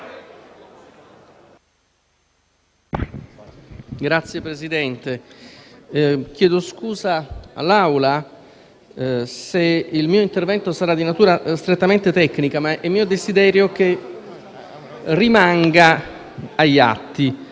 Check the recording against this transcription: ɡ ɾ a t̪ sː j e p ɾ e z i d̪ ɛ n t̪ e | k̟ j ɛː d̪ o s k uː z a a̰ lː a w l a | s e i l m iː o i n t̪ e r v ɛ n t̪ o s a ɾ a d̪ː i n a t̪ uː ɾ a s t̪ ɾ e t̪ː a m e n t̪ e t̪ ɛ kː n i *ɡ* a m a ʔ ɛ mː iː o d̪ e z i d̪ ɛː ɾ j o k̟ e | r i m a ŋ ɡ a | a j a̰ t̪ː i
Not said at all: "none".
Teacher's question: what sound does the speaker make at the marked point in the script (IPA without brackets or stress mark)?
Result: k